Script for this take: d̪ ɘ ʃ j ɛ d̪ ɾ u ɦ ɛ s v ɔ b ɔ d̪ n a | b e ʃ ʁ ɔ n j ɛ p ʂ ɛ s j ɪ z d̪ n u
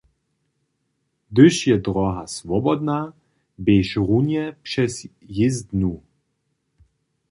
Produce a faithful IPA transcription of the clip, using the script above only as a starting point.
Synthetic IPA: d̪ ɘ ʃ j ɛ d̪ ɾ ɔ ɦ a s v ɔ b ɔ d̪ n a | b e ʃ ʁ u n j ɛ p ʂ ɛ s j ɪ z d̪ n u